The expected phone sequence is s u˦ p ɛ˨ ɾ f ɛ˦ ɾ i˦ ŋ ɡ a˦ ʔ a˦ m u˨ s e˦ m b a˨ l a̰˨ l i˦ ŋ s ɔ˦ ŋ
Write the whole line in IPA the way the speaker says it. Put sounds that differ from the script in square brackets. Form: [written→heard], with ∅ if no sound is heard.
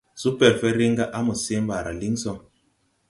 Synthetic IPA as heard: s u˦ p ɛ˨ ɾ f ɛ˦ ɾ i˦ ŋ ɡ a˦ ʔ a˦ m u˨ s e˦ m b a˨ [l→ɾ] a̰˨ l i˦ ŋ s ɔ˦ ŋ